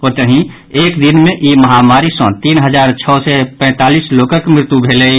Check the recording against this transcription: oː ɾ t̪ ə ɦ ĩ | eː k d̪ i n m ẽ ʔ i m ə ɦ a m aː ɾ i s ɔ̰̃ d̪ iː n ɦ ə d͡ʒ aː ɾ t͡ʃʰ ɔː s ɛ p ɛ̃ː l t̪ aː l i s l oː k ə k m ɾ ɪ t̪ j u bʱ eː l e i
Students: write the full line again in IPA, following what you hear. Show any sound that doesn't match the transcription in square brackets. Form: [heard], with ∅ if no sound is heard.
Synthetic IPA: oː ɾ t̪ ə ɦ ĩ | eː k d̪ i n m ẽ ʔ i m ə ɦ a m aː ɾ i s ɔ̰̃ [t̪] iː n ɦ ə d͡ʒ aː ɾ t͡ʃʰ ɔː s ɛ p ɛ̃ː [∅] t̪ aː l i s l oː k ə k m ɾ ɪ t̪ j u bʱ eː l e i